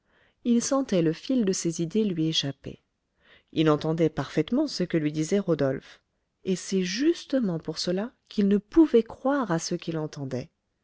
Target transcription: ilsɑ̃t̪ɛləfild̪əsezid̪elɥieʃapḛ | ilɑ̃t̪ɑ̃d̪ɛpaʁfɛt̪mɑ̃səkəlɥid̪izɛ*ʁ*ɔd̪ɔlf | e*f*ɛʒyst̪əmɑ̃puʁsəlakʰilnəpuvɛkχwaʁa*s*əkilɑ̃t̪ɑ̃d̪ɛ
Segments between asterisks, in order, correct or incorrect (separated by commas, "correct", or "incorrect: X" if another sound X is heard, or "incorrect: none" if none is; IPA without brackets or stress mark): correct, incorrect: s, correct